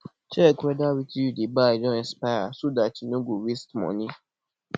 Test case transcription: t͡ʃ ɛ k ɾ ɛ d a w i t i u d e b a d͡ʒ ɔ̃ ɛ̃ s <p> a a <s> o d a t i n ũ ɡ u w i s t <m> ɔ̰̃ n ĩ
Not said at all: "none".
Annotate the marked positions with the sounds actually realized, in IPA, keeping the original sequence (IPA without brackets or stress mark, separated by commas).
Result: p, s, m